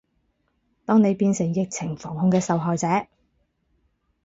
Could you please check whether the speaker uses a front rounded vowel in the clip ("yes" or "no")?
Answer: no